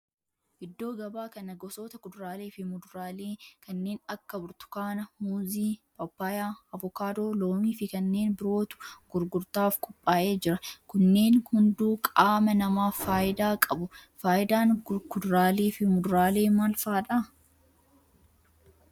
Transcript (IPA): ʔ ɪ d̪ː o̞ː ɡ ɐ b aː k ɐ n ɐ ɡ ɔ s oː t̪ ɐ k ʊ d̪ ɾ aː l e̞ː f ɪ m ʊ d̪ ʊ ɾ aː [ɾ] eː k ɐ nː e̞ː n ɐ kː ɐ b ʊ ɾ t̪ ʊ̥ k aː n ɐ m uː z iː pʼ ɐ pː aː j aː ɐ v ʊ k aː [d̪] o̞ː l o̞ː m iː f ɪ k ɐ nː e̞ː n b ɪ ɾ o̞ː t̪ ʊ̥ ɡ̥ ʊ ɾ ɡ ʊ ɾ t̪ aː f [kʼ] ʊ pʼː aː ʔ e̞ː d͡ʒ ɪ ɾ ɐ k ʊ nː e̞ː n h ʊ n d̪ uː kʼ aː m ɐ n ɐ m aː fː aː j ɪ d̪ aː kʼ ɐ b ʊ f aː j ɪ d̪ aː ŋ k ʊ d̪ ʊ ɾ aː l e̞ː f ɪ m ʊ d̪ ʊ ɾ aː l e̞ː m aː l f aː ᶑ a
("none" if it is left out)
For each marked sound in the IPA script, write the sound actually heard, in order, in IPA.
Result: l, d̪, kʼ

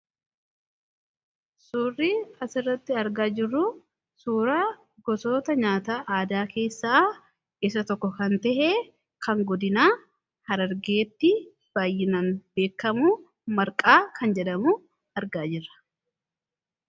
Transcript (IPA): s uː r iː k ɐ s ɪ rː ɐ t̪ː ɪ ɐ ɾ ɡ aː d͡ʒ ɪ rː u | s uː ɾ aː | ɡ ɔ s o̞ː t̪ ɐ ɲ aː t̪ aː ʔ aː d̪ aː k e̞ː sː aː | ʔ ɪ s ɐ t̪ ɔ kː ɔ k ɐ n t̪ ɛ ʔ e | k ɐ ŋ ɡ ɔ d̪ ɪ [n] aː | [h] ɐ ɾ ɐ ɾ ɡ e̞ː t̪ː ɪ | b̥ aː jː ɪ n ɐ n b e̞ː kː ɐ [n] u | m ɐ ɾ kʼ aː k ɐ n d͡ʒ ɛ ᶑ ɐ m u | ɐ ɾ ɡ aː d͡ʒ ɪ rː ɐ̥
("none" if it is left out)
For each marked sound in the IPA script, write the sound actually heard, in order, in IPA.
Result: n, h, m

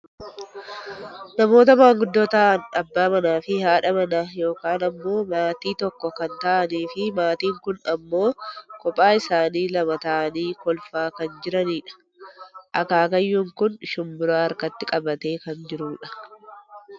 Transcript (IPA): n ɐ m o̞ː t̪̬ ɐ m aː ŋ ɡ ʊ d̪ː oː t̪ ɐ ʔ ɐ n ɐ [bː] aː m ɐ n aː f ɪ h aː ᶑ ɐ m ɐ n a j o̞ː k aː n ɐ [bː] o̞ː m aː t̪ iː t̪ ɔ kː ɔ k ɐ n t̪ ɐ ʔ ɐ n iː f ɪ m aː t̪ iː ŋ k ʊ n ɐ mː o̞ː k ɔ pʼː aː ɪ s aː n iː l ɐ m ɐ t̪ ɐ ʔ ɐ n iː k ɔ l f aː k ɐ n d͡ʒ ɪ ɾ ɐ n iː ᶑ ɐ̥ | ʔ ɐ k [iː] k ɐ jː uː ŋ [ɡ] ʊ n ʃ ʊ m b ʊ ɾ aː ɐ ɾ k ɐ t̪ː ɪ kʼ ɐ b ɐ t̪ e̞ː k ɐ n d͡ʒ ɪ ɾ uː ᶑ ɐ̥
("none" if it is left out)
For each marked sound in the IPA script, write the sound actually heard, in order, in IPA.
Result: bː, mː, aː, k

